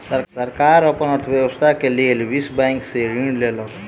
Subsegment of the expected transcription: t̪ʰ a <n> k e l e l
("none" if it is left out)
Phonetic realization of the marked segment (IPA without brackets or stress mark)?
none